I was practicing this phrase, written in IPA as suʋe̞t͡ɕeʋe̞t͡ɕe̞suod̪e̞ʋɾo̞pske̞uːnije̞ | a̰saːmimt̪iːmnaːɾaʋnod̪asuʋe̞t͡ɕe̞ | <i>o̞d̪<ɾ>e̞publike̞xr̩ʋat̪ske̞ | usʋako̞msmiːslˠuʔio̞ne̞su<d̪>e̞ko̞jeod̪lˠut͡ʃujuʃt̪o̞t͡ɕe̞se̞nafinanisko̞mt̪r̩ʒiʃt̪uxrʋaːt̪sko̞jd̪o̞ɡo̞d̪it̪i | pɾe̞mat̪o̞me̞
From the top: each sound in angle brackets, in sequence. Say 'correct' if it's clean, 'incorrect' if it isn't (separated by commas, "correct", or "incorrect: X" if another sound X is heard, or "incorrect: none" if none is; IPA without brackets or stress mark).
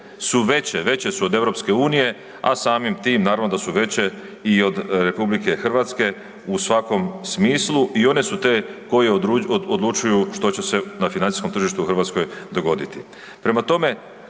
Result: correct, correct, incorrect: t̪